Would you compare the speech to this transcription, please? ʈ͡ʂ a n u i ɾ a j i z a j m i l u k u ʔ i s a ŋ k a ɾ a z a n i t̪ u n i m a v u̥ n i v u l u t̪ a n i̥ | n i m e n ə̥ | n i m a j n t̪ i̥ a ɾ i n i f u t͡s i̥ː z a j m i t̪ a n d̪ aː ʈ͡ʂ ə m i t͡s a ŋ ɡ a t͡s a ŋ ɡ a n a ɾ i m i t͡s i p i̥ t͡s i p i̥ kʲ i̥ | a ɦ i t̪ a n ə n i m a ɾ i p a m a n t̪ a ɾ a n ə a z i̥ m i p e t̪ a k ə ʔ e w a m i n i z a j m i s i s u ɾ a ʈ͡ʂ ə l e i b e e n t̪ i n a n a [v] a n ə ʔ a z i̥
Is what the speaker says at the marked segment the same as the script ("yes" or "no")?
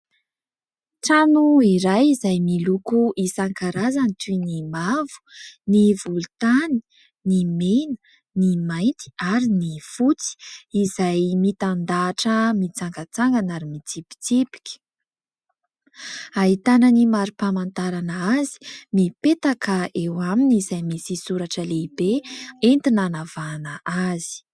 yes